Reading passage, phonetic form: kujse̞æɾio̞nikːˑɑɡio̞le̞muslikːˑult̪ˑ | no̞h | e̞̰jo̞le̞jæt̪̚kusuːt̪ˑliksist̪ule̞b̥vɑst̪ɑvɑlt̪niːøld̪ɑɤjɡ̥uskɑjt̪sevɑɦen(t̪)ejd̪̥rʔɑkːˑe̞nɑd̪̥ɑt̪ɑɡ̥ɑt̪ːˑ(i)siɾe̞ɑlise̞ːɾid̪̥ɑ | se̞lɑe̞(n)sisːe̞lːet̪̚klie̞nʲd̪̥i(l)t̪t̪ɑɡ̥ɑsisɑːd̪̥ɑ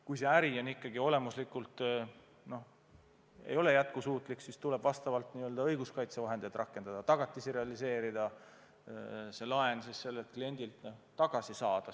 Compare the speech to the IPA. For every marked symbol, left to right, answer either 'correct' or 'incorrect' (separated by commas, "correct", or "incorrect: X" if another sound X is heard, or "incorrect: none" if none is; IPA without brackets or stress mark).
incorrect: d̪, correct, correct, correct